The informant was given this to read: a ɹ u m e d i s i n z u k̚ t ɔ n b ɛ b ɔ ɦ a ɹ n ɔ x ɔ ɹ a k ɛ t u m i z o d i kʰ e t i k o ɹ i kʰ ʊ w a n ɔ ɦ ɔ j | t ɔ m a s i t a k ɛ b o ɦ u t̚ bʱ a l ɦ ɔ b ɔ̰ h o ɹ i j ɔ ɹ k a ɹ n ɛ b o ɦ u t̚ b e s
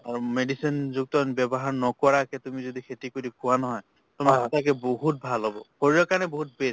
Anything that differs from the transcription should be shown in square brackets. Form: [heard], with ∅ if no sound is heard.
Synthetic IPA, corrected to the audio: a ɹ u m e d i s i n z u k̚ t ɔ n b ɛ b ɔ ɦ a ɹ n ɔ [k] ɔ ɹ a k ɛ t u m i z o d i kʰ e t i k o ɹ i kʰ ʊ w a n ɔ ɦ ɔ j | t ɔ m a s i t a k ɛ b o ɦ u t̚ bʱ a l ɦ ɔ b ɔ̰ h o ɹ i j ɔ [∅] k a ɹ n ɛ b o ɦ u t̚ b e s